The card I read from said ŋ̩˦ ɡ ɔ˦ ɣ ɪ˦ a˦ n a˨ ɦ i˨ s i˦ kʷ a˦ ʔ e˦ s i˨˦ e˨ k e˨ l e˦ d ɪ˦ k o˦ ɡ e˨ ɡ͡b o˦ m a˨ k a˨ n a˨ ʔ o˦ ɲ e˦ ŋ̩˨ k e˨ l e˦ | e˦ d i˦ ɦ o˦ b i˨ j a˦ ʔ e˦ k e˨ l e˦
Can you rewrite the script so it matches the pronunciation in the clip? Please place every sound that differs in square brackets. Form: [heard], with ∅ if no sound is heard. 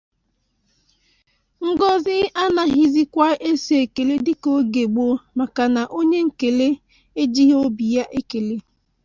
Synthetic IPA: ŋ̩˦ ɡ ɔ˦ [z] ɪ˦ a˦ n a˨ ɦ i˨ [z] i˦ kʷ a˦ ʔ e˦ s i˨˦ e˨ k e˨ l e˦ d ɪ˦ k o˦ ɡ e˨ ɡ͡b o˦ m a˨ k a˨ n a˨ ʔ o˦ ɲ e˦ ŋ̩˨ k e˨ l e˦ | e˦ [d͡ʒ] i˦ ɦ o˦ b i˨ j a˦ ʔ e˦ k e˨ l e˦